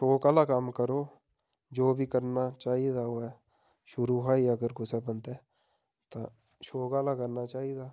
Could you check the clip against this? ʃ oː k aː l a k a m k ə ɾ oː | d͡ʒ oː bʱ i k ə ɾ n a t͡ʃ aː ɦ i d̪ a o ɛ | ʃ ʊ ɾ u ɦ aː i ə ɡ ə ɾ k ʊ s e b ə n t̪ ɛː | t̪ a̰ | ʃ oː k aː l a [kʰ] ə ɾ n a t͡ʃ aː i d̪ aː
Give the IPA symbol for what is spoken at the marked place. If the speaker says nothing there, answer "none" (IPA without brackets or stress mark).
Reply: k